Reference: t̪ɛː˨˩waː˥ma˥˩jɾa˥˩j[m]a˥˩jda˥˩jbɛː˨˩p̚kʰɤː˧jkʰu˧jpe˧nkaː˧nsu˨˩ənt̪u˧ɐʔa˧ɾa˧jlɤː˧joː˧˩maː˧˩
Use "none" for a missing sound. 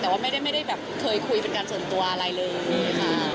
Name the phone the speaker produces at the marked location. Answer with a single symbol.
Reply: m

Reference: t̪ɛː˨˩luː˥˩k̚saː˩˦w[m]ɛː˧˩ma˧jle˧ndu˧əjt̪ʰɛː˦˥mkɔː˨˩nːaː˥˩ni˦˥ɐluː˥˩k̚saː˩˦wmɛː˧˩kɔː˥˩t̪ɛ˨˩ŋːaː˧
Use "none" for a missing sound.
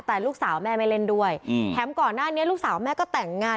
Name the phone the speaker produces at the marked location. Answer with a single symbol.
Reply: m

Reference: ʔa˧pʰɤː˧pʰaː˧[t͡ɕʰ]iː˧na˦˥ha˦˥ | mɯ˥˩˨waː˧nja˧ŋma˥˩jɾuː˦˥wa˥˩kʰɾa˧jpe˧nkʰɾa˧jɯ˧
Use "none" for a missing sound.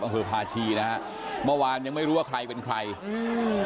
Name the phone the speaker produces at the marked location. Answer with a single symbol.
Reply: t͡ɕʰ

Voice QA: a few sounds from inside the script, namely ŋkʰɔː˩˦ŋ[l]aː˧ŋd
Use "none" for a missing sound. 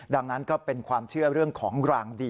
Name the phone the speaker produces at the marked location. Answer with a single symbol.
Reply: ɾ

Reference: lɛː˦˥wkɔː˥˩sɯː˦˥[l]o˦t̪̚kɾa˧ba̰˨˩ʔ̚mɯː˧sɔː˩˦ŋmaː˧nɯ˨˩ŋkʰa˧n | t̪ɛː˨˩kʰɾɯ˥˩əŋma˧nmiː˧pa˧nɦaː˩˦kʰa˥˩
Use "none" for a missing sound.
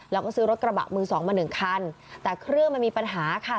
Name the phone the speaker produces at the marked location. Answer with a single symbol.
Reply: ɾ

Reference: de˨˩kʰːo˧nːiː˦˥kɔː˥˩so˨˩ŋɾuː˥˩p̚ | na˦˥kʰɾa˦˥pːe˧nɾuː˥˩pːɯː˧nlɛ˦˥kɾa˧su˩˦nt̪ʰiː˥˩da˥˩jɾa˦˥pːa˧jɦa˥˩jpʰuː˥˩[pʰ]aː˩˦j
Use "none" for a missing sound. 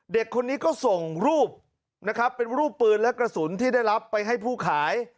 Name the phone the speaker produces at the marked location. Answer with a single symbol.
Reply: kʰ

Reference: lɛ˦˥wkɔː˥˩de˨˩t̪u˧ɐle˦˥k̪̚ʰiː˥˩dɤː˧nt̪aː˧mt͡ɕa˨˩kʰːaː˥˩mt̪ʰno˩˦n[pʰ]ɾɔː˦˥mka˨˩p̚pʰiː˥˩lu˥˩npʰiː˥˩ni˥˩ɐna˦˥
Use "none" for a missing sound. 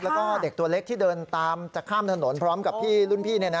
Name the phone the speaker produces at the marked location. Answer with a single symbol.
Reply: pʰ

